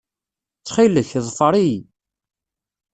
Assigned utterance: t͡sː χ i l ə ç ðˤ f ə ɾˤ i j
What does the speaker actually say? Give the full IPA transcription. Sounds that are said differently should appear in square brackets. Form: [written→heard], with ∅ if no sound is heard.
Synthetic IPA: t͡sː χ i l ə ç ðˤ f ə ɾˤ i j

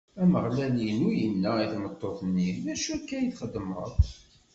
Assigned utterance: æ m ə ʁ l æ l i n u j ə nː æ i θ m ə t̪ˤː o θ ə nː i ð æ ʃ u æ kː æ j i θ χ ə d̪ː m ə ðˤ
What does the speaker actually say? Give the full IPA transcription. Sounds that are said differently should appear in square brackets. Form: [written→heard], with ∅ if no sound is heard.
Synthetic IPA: æ m ə ʁ l æ l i n u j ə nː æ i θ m ə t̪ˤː o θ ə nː i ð æ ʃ u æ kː æ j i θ χ ə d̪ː m ə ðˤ

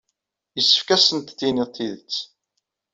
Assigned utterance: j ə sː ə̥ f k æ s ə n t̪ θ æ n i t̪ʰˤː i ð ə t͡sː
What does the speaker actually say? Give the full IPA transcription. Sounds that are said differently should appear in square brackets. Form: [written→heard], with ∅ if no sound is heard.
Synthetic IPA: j ə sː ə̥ f k æ s ə n t̪ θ [æ→i] n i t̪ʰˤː i ð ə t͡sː

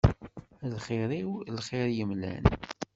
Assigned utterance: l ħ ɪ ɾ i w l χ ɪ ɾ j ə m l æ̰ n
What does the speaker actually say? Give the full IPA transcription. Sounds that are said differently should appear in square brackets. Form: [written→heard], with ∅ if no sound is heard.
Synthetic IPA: l [ħ→χ] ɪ ɾ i w l χ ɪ ɾ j ə m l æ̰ n

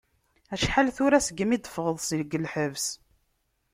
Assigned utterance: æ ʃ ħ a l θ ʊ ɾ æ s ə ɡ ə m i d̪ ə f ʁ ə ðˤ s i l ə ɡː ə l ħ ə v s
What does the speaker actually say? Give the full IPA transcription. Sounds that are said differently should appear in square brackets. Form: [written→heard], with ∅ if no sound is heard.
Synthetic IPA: æ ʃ ħ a l θ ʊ ɾ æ s ə ɡ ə m i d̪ ə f ʁ ə ðˤ s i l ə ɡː ə l ħ ə v s

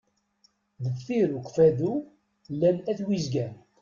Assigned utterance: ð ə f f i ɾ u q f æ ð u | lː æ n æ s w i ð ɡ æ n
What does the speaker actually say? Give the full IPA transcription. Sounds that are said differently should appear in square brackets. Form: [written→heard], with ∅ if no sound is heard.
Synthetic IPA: ð ə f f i ɾ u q f æ ð u | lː æ n æ [s→θ] w i [ð→z] ɡ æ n

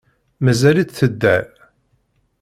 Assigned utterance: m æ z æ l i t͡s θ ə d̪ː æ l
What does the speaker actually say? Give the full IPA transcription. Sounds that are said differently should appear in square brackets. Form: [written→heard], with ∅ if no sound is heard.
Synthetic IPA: m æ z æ l i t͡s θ ə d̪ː æ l

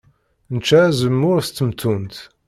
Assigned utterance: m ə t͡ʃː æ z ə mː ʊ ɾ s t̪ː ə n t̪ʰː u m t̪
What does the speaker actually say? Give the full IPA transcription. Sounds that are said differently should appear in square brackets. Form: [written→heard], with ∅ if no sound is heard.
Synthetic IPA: [m→n] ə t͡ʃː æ z ə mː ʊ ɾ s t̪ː ə [n→m] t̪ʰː u [m→n] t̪

